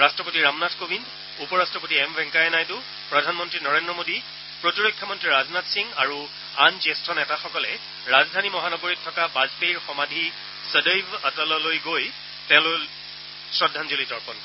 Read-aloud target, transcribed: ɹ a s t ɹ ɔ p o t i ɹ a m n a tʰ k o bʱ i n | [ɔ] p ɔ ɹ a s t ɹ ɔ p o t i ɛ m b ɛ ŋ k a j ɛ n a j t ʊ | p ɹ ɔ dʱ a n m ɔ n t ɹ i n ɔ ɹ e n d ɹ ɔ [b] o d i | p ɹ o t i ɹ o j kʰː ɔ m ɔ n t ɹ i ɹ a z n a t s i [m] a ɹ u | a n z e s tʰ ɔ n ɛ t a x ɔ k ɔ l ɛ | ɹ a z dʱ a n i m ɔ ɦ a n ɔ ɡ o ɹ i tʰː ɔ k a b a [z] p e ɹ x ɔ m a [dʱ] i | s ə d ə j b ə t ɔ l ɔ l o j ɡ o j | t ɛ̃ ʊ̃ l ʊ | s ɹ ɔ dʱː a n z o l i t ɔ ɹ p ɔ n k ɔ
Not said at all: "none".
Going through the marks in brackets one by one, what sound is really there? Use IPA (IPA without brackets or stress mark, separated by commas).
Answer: u, m, ŋ, z, dʱ